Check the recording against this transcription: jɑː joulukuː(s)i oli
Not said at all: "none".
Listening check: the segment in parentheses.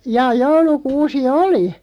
s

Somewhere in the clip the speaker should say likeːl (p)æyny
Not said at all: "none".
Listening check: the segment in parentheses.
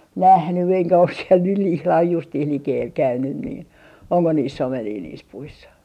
k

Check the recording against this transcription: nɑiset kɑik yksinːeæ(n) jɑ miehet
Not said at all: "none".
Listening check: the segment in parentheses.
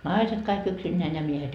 n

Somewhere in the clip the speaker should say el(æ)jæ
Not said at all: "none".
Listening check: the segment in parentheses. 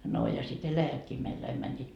æ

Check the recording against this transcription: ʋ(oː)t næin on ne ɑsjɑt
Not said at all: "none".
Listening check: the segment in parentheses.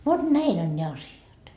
o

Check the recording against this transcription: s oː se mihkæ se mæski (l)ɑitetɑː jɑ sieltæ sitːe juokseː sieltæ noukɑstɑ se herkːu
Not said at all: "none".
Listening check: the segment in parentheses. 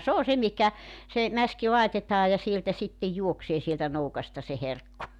l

